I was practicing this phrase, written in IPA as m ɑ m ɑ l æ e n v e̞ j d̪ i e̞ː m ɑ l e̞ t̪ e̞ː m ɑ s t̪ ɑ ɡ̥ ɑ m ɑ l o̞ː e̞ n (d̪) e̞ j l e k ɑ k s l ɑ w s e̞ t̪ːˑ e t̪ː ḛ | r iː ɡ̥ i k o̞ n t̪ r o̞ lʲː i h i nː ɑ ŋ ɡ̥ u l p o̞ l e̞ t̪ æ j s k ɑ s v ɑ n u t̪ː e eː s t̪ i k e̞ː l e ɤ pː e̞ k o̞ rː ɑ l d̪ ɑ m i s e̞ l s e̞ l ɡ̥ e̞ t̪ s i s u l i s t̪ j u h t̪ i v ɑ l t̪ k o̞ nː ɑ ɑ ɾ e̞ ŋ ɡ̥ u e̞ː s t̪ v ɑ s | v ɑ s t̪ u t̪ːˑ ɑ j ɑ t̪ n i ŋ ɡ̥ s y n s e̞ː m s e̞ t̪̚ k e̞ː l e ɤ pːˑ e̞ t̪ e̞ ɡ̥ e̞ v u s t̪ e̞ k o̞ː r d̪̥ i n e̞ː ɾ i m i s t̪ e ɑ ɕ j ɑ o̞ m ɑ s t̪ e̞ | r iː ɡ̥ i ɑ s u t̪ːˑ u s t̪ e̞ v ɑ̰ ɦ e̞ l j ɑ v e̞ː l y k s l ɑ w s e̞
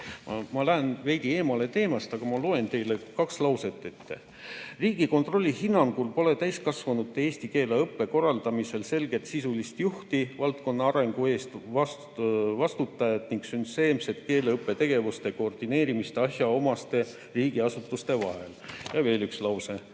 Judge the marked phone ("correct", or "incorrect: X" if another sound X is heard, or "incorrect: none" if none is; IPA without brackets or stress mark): incorrect: t̪